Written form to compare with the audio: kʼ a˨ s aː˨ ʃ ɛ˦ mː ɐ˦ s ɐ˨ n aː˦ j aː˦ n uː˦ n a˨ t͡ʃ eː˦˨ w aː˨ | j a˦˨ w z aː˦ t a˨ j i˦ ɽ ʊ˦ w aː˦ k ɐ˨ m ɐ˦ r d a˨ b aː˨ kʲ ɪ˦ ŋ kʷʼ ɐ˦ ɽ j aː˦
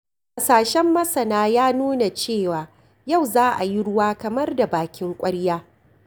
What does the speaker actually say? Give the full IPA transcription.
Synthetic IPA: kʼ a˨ s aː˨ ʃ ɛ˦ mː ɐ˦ s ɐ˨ n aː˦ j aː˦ n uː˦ n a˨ t͡ʃ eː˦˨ w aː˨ | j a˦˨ w z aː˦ ʔ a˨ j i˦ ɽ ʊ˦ w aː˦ k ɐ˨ m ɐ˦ r d a˨ b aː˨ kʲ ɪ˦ ŋ kʷʼ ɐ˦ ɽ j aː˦